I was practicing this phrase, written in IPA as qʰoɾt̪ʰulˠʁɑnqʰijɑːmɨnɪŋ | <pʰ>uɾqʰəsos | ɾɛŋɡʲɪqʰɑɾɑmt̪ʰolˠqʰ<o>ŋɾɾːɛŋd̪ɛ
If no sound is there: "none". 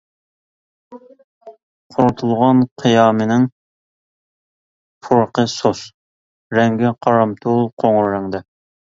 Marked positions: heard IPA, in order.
pʰ, o

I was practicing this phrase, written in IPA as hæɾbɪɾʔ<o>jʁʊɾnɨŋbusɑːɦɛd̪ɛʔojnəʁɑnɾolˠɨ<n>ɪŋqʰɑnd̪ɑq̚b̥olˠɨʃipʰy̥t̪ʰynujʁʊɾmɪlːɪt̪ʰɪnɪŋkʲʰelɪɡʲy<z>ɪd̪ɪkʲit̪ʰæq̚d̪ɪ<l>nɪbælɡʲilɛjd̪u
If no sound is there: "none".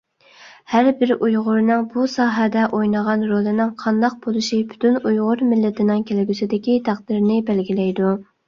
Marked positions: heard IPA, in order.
u, n, s, ɾ

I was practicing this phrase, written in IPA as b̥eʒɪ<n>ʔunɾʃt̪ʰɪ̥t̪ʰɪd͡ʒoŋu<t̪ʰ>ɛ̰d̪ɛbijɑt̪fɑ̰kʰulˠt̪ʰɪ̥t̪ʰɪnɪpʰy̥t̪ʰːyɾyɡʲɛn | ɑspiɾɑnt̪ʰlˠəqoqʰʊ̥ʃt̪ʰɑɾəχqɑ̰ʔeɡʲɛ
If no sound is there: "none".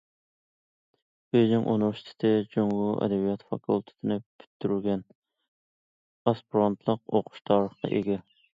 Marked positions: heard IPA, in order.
ŋ, none

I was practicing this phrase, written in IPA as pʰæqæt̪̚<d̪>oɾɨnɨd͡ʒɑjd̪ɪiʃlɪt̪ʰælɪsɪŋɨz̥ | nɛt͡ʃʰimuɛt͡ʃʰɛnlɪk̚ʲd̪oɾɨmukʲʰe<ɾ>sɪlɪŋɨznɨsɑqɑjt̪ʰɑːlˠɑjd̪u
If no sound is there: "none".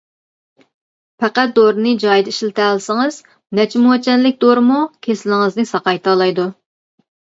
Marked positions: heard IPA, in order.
d̪, none

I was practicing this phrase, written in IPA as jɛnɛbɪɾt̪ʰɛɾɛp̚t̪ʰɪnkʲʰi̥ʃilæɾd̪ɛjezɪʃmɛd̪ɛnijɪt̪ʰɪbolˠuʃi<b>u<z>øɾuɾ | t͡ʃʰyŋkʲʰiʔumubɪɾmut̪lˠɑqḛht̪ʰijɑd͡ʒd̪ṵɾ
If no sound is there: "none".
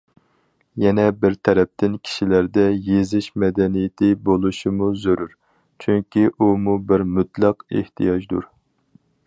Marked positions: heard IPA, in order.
m, z

